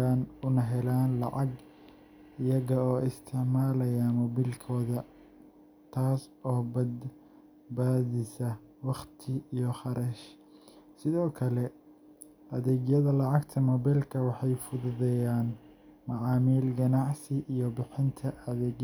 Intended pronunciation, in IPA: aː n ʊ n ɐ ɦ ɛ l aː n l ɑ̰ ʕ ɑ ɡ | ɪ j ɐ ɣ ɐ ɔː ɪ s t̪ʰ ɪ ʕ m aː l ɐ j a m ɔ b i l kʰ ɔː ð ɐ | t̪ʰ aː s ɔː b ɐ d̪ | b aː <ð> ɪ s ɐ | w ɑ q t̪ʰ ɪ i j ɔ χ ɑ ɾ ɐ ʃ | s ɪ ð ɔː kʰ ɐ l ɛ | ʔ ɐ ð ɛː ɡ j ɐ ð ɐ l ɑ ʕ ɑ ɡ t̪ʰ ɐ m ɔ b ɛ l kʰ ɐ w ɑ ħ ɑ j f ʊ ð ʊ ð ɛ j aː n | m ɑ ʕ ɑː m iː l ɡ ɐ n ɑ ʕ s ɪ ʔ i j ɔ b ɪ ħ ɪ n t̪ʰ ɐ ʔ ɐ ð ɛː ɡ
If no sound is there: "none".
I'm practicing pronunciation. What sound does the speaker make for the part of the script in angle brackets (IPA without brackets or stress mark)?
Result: ð